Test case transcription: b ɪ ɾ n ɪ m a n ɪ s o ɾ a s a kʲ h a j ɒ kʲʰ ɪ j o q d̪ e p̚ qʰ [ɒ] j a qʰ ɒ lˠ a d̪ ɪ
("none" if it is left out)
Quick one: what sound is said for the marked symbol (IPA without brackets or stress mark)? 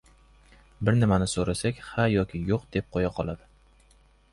o